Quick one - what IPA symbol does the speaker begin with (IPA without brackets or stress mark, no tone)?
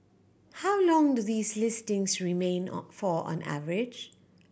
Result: h